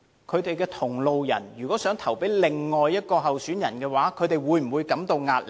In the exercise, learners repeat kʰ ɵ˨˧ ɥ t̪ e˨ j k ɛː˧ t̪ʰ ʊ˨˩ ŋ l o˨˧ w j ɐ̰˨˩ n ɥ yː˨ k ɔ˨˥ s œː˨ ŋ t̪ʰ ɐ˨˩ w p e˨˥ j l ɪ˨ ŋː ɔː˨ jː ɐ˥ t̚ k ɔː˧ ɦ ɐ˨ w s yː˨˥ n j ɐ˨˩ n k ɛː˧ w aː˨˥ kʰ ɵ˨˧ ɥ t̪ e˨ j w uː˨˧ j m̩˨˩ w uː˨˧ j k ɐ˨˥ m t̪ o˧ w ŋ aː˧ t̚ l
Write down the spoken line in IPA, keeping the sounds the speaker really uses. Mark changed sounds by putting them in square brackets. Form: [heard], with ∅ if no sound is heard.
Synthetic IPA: kʰ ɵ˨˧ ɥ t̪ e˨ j k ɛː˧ t̪ʰ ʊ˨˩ ŋ l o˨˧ w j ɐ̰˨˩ n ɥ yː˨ k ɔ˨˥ s [œː˨˥] ŋ t̪ʰ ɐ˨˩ w p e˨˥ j l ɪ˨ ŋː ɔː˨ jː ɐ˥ t̚ k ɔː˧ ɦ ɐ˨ w s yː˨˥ n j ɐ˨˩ n k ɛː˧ w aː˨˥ kʰ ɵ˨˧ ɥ t̪ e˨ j w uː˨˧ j m̩˨˩ w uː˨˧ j k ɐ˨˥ m t̪ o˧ w ŋ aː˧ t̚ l